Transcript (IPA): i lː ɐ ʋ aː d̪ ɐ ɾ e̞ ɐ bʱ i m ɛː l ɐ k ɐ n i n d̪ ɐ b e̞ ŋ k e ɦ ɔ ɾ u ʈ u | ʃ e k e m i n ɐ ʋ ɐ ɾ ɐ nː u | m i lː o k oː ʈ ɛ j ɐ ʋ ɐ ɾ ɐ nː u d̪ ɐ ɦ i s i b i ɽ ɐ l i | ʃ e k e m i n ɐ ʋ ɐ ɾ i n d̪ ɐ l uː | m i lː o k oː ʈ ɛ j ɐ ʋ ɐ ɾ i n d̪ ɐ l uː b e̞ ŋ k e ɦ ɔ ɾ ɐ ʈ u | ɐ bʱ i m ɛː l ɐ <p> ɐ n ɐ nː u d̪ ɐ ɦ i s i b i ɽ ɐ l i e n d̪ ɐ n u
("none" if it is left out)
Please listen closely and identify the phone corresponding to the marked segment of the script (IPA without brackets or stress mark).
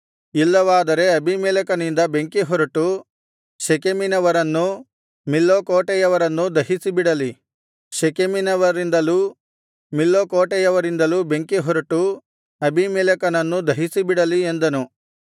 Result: k